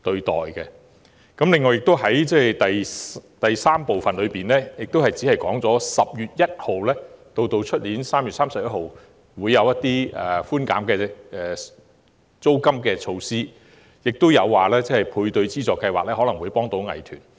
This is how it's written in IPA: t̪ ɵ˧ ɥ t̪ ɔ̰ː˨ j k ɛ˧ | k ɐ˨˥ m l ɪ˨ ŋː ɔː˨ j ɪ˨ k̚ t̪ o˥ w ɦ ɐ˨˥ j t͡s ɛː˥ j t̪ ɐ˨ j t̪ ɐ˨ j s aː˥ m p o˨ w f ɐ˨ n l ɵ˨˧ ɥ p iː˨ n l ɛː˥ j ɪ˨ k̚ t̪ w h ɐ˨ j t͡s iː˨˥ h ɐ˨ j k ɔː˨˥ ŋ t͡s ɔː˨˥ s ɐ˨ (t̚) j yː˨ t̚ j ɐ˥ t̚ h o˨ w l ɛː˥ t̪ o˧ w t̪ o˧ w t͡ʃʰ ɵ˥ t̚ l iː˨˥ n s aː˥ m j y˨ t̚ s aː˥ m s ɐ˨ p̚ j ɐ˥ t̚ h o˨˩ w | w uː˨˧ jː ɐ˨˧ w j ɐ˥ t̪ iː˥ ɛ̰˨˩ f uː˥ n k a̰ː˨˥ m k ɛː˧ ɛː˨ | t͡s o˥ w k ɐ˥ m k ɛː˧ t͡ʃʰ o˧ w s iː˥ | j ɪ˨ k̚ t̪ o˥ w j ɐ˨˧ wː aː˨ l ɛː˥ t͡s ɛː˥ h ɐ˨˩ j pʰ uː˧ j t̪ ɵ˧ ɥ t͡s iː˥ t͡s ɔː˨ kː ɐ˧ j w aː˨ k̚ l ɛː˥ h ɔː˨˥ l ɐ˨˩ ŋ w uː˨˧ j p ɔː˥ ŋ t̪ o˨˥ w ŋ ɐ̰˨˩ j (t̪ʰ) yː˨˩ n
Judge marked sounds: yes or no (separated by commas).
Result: no, yes